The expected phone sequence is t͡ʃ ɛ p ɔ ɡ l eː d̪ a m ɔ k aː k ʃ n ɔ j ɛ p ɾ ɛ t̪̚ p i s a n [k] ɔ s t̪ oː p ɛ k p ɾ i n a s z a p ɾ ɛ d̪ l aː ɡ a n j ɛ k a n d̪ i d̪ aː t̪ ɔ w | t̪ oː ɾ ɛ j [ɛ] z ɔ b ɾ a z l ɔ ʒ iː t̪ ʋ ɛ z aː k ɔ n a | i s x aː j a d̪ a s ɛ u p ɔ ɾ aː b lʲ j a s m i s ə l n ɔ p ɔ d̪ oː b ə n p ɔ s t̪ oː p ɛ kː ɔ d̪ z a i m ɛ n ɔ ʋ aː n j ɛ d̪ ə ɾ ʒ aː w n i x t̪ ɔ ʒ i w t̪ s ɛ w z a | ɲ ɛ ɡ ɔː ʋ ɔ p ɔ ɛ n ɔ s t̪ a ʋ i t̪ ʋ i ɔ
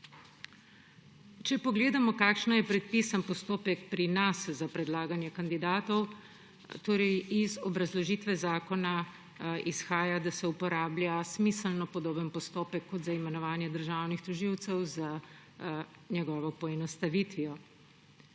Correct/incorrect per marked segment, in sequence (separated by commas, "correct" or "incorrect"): incorrect, incorrect